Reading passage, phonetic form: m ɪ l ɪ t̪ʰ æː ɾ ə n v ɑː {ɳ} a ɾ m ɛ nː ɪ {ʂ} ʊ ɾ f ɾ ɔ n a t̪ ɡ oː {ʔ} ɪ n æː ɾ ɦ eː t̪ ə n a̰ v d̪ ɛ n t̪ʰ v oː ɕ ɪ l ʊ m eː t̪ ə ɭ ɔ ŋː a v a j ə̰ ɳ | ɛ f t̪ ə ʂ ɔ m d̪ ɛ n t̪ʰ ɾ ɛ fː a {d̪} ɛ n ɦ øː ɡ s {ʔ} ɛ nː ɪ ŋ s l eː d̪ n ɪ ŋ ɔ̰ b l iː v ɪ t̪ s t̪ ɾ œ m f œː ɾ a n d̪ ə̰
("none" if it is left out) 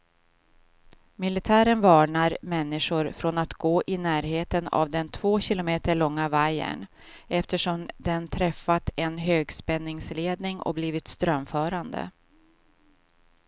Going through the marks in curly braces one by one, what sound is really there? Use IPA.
ɳ, ʂ, ʔ, t̪, p

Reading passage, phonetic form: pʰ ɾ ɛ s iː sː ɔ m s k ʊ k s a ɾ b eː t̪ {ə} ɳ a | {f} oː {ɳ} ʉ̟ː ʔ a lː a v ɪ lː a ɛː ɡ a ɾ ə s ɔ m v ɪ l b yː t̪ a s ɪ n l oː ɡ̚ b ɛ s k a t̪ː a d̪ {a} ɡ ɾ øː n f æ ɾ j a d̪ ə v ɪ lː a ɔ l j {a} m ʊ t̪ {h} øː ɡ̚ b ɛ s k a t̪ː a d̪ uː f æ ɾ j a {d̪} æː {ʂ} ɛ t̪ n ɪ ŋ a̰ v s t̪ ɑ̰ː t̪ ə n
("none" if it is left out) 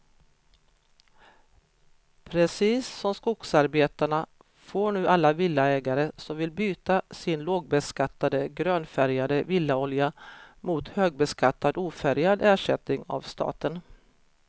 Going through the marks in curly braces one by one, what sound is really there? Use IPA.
a, f, ɳ, ə, a, h, d̪, ʂ

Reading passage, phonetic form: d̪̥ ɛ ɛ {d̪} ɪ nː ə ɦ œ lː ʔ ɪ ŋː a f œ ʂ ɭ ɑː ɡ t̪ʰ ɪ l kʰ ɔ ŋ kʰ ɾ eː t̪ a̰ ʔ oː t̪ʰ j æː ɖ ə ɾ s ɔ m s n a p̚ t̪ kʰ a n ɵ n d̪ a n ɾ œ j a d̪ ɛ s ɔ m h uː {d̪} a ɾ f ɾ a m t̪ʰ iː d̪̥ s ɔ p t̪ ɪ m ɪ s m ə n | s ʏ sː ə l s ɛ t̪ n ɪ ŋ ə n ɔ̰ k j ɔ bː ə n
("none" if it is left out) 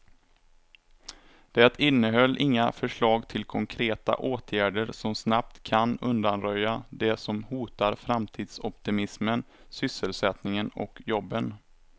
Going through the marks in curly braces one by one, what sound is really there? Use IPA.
t̪, t̪

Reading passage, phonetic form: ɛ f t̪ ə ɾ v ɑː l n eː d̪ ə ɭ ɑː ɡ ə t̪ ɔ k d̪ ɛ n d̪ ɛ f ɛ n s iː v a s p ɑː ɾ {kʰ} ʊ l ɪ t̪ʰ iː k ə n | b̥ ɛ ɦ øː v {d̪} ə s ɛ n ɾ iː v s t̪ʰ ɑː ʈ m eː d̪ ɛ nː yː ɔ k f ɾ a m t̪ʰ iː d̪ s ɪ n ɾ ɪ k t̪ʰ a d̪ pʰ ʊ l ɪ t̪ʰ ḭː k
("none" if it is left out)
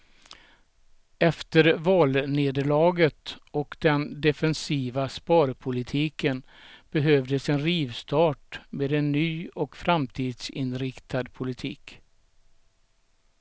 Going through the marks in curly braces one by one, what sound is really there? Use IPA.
pʰ, d̪

